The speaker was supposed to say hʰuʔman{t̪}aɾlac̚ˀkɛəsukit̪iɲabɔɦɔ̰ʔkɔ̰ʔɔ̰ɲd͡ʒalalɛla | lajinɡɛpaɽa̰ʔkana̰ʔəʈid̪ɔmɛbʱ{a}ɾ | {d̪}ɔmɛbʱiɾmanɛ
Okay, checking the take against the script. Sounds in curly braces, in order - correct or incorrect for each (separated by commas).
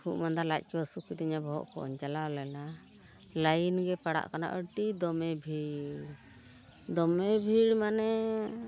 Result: incorrect, incorrect, correct